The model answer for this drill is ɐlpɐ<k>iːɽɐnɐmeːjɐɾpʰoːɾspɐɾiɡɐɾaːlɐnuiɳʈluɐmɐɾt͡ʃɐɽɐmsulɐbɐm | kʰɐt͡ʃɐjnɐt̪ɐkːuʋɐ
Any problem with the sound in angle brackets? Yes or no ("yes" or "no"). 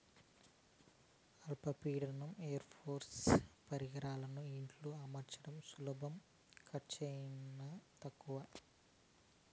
yes